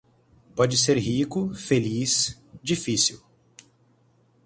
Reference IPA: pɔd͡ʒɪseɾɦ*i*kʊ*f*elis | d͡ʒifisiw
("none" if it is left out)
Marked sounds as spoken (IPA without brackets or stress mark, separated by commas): i, f